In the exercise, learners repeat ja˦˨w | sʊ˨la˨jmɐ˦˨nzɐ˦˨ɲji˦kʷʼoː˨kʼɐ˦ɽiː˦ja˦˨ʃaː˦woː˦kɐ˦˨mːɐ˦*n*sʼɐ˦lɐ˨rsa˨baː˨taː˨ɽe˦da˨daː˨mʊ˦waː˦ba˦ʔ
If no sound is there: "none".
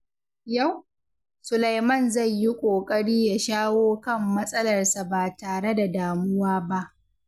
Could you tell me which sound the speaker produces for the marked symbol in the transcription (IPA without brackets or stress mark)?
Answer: none